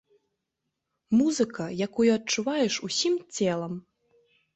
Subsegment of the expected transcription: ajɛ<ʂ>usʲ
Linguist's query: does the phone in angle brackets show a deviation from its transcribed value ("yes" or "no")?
no